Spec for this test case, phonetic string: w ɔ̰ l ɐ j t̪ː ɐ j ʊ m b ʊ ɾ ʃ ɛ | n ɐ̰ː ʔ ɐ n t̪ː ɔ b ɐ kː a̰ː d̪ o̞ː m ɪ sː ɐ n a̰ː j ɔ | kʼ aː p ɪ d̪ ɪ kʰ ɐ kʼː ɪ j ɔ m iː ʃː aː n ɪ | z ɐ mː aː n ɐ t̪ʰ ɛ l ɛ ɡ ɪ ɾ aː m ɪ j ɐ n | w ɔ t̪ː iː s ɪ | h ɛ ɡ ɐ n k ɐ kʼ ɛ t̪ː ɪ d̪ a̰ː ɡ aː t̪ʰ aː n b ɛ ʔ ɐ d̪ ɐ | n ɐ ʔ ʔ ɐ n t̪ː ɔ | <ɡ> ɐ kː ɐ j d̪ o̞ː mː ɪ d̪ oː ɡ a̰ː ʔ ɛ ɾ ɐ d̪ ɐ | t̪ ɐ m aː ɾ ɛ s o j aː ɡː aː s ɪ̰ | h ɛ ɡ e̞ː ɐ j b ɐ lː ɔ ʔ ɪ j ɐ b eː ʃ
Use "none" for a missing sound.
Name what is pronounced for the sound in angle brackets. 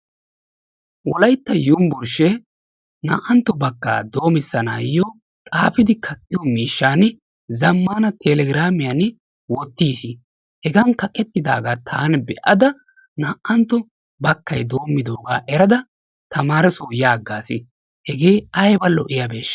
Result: b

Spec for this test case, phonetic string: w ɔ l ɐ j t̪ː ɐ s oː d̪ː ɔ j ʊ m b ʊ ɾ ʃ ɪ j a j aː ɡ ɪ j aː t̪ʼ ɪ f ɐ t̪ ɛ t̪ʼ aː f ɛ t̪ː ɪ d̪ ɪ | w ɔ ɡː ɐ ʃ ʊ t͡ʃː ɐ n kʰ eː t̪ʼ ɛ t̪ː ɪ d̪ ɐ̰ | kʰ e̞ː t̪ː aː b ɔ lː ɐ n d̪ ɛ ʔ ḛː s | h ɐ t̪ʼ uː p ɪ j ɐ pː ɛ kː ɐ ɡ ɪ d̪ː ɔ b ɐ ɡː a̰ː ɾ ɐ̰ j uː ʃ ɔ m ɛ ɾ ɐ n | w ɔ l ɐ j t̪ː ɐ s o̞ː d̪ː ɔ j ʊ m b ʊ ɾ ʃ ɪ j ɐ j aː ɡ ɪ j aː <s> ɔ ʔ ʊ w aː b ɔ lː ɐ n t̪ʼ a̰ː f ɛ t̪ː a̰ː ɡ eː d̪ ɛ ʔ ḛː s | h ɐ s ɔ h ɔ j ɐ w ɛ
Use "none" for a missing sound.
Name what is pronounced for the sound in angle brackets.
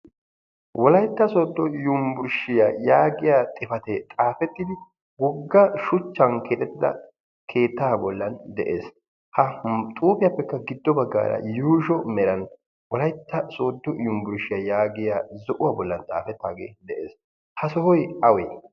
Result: z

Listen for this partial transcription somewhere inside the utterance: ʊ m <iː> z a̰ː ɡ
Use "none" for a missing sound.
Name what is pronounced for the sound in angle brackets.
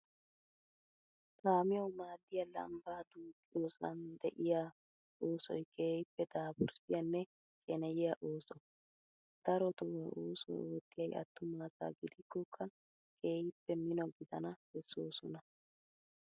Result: aː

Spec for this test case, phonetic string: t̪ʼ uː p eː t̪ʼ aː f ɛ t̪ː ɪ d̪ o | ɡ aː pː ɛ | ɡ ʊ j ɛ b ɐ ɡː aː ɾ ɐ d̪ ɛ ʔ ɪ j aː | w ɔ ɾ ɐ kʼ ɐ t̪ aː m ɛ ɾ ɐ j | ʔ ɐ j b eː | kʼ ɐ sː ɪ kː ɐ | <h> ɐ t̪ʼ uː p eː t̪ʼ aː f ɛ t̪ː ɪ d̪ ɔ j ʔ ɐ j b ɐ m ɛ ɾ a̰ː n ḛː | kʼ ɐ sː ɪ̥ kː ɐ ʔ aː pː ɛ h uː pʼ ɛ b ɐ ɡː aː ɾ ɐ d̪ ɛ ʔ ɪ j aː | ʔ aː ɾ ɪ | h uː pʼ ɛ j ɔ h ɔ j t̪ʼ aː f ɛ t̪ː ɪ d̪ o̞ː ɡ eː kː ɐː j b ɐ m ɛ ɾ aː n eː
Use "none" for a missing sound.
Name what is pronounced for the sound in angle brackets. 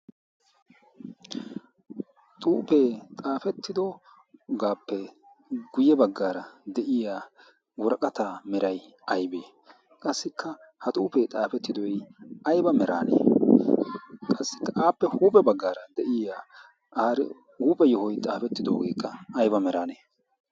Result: h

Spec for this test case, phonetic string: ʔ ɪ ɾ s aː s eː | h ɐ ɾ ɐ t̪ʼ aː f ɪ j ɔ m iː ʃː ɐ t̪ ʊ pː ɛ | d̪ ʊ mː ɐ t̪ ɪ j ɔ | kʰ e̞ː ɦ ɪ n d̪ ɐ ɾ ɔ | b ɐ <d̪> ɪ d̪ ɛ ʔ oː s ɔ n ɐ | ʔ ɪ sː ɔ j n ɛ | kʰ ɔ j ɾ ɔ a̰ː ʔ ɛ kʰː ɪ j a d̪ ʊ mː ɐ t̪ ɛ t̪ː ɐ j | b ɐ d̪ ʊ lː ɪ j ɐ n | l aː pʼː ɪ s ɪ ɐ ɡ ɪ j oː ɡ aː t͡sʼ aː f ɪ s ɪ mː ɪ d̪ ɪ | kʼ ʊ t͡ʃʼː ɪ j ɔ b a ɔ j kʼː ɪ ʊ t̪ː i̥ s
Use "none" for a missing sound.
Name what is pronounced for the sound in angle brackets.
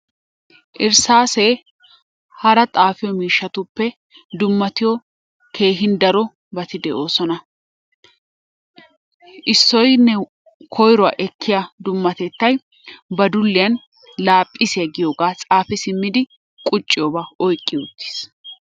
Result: t̪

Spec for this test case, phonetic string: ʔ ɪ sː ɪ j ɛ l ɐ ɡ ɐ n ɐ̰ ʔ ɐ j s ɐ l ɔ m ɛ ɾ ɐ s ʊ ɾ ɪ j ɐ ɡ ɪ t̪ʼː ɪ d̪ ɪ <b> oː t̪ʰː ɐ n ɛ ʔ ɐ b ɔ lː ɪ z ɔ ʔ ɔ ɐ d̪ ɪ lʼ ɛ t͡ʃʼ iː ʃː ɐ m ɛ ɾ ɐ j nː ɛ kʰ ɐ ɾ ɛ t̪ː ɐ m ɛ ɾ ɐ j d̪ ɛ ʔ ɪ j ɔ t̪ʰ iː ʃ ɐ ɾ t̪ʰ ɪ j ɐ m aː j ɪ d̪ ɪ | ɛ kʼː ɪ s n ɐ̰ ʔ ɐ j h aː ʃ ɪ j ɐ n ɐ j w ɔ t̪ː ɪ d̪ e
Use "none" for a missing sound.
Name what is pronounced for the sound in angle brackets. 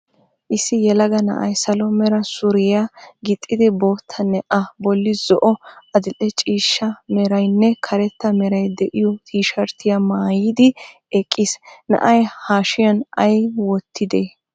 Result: b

